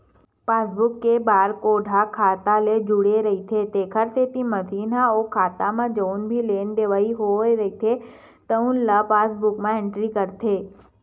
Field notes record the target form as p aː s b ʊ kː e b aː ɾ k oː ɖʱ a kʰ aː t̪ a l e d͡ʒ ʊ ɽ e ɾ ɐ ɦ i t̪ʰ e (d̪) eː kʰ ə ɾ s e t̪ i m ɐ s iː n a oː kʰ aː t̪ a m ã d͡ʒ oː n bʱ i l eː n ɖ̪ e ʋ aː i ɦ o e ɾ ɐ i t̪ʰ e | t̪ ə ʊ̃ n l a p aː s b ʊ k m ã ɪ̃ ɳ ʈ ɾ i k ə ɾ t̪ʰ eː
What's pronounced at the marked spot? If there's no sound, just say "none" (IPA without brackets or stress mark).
t̪